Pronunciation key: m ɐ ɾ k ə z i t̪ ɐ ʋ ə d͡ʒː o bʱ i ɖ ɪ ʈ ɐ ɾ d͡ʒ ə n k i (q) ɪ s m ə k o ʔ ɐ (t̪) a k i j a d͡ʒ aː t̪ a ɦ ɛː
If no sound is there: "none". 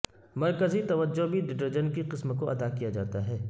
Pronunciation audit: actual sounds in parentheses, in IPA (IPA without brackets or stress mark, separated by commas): q, d̪